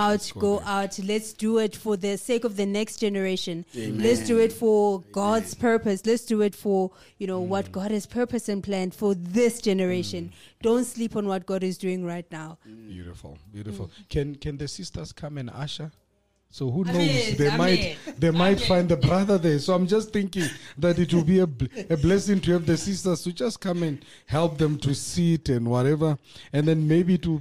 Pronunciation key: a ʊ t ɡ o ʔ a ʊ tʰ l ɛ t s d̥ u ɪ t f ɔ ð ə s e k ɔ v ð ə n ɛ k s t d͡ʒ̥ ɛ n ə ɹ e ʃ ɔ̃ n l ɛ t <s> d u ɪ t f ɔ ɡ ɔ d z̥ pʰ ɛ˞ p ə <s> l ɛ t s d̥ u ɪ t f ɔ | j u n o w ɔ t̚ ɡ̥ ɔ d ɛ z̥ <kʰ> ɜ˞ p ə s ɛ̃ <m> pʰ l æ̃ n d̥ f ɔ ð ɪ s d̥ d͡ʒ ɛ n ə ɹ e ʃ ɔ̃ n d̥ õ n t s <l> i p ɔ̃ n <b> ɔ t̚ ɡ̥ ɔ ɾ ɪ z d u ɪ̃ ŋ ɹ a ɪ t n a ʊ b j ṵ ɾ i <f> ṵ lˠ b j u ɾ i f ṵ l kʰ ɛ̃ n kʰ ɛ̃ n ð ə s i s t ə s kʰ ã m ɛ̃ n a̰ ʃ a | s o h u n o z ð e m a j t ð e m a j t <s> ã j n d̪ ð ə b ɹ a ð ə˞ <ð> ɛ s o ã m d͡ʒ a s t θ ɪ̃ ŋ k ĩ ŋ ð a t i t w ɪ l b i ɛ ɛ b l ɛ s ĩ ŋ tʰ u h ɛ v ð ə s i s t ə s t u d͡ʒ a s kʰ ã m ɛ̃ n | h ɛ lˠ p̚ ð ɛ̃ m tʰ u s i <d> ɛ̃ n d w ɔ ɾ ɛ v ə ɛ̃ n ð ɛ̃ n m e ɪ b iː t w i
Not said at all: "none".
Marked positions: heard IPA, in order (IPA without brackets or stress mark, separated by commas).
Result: s, s, pʰ, n, l, w, f, f, ð, t